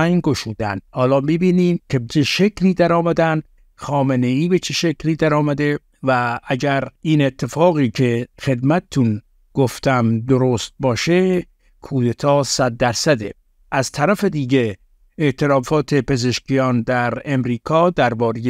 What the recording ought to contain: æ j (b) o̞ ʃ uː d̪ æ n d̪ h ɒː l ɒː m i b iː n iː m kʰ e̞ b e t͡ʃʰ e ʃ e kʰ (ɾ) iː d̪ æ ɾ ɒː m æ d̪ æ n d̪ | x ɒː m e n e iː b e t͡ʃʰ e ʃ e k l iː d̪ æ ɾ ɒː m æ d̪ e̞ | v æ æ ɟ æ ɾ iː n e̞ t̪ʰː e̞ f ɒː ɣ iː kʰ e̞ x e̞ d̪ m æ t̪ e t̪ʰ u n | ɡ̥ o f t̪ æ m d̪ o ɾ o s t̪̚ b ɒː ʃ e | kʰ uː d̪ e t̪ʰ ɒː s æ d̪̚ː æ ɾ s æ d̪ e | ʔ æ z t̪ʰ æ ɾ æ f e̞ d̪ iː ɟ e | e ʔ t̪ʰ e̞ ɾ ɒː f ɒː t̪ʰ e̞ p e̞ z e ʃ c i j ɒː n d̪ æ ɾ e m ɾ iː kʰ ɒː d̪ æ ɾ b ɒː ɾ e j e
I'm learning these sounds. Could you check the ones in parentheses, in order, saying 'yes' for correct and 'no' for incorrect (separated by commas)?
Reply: no, no